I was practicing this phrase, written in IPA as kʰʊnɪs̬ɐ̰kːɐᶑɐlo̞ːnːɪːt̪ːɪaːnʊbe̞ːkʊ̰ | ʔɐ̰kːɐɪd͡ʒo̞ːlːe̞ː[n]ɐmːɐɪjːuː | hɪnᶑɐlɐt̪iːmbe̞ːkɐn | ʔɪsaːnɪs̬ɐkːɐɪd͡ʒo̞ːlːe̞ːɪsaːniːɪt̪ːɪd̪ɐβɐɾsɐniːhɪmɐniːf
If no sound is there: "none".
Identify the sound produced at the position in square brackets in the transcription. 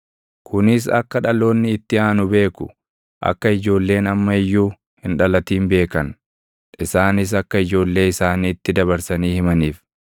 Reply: n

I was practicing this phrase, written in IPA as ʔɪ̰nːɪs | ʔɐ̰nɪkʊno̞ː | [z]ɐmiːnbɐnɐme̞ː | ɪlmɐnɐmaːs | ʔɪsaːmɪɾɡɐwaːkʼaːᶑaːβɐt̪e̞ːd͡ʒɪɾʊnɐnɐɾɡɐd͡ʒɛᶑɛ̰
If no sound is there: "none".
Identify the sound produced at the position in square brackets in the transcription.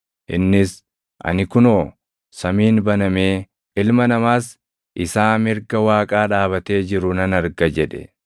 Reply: s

